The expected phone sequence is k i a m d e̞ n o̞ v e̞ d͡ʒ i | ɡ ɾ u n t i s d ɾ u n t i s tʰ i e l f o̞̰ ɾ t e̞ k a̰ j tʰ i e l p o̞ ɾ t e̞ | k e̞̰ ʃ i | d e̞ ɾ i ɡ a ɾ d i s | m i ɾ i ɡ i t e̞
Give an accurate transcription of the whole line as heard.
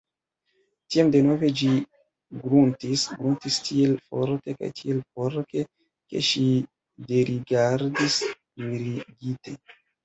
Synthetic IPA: t i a m d e̞ n o̞ v e̞ d͡ʒ i | ɡ ɾ u n t i s ɡ ɾ u n t i s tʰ i e l f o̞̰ ɾ t e̞ k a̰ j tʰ i e l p o̞ ɾ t e̞ | k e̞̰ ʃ i | d e̞ ɾ i ɡ a ɾ d i s | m i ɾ i ɡ i t e̞